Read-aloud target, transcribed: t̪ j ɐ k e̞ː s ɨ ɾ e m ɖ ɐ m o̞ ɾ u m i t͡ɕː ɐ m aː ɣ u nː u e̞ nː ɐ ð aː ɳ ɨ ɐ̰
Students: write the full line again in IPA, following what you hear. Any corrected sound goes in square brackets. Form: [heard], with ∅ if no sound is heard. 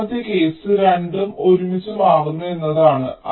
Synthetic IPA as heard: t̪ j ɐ k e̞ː s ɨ ɾ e [ɳ] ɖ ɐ m o̞ ɾ u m i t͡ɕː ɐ m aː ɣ u nː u e̞ nː ɐ ð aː ɳ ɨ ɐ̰